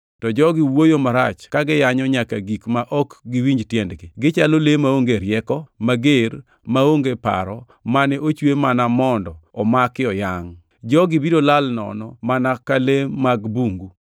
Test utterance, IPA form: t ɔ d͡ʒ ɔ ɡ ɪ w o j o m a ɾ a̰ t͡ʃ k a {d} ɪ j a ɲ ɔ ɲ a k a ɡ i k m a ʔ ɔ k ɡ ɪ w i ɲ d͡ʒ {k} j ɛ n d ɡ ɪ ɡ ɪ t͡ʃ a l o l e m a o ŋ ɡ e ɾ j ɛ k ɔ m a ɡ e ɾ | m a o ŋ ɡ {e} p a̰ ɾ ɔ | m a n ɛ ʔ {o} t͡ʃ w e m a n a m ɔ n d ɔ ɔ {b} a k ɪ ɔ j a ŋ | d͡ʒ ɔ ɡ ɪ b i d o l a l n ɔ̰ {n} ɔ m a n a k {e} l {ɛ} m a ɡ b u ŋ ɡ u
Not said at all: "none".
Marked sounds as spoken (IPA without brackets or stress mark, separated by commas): ɡ, t, e, o, m, n, a, e